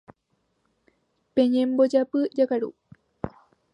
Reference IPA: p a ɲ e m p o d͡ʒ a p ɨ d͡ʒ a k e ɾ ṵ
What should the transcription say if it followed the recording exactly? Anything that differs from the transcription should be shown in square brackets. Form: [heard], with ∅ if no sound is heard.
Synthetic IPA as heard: p [e] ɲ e m [b] o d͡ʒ a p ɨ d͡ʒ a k [a] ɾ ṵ